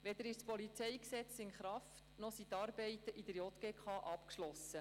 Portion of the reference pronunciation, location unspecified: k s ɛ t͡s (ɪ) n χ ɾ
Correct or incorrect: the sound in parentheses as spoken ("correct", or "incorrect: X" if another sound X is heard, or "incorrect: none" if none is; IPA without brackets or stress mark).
correct